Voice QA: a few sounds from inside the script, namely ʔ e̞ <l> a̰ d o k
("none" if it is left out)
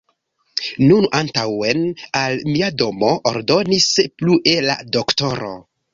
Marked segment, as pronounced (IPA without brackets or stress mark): l